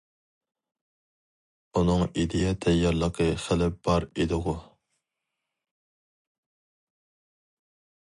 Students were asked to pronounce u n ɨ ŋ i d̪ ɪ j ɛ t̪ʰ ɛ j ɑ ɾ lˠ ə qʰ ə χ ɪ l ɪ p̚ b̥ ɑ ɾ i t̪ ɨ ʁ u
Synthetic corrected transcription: u n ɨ ŋ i d̪ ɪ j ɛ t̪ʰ ɛ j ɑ ɾ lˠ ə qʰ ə χ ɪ l ɪ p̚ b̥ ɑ ɾ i d̪ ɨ ʁ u

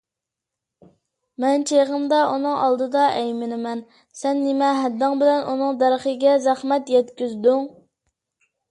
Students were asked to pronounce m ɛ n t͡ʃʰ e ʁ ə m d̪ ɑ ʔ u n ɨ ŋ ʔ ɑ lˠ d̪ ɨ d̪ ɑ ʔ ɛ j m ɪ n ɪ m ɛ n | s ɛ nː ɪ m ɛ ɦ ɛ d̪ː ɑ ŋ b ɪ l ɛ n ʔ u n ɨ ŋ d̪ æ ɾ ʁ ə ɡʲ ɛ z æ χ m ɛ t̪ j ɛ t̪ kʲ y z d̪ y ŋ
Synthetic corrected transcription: m ɛ n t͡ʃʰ e ʁ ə m d̪ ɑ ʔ u n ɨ ŋ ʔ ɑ lˠ d̪ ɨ d̪ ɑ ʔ ɛ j m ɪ n ɪ m ɛ n | s ɛ nː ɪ m ɛ ɦ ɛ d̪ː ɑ ŋ b ɪ l ɛ n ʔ u n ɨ ŋ d̪ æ ɾ χ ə ɡʲ ɛ z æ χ m ɛ t̪ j ɛ t̪ kʲ y z d̪ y ŋ

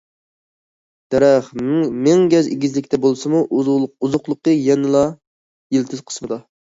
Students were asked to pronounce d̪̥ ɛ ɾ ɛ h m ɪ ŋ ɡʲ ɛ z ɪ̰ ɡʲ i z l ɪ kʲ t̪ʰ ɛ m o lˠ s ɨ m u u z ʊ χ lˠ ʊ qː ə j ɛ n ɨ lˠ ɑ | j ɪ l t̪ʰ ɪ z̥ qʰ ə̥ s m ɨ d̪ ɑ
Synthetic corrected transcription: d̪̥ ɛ ɾ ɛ χ m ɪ ŋ ɡʲ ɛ z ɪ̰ ɡʲ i z l ɪ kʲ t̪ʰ ɛ b o lˠ s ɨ m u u z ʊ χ lˠ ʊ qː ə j ɛ n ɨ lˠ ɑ | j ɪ l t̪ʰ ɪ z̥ qʰ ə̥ s m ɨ d̪ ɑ

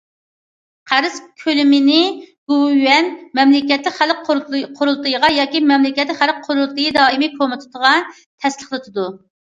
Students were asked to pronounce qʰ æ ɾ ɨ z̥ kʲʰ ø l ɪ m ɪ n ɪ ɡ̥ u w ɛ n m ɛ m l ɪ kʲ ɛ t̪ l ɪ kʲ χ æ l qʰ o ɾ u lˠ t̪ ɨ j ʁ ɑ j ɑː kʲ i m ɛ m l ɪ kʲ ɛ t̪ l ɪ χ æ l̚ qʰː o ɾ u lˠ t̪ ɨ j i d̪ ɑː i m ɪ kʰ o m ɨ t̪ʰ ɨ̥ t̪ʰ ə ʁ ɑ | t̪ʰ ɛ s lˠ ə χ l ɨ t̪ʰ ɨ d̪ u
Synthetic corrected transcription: qʰ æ ɾ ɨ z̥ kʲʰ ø l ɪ m ɪ n ɪ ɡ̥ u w ɛ n m ɛ m l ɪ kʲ ɛ t̪ l ɪ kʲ χ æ l qʰ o ɾ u lˠ t̪ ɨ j ʁ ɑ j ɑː kʲ i m ɛ m l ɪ kʲ ɛ t̪ l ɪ χ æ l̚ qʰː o ɾ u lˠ t̪ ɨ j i d̪ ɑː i m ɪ kʰ o m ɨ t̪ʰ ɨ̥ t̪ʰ ə ʁ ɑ | t̪ʰ ɛ s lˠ ə χ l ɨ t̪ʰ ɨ d̪ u

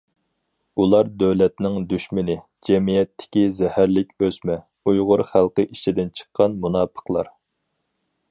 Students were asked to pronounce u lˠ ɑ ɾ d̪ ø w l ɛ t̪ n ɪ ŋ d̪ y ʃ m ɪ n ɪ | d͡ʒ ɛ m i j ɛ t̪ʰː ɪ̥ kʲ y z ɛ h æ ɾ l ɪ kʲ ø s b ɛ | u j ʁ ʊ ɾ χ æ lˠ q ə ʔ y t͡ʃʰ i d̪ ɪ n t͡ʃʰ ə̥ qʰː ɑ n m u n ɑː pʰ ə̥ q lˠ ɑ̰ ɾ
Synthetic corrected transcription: u lˠ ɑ ɾ d̪ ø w l ɛ t̪ n ɪ ŋ d̪ y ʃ m ɪ n ɪ | d͡ʒ ɛ m i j ɛ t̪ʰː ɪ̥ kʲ i z ɛ h æ ɾ l ɪ kʲ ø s m ɛ | u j ʁ ʊ ɾ χ æ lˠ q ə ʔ i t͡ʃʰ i d̪ ɪ n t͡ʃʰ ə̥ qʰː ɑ n m u n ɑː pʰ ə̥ q lˠ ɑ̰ ɾ

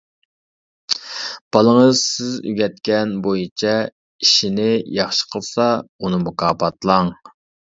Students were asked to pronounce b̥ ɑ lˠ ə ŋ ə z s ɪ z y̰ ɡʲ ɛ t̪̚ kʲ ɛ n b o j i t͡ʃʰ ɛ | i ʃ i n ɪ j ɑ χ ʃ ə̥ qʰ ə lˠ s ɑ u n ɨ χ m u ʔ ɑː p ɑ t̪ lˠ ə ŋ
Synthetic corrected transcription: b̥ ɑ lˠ ə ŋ ə z s ɪ z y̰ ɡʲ ɛ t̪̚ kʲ ɛ n b o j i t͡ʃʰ ɛ | i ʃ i n ɪ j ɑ χ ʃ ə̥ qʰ ə lˠ s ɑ u n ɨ m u k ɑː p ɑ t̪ lˠ ɑ ŋ

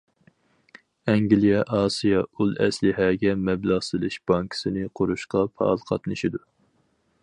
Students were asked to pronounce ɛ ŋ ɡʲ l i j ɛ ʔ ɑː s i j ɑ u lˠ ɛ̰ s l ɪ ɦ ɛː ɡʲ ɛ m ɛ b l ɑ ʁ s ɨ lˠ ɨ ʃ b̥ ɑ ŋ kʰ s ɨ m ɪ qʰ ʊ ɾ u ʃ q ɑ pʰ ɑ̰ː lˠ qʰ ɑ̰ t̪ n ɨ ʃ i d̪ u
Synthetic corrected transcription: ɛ ŋ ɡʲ l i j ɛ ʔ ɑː s i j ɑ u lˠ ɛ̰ s l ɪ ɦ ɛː ɡʲ ɛ m ɛ b l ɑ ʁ s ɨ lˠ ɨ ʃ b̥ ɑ ŋ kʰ s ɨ n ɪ qʰ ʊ ɾ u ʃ q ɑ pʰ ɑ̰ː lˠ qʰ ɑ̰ t̪ n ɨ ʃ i d̪ u

